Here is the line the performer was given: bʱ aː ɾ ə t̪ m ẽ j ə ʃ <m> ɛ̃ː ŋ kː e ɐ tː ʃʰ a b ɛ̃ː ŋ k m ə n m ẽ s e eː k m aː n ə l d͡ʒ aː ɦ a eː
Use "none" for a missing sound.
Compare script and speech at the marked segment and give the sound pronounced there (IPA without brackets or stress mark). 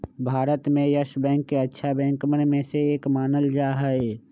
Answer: b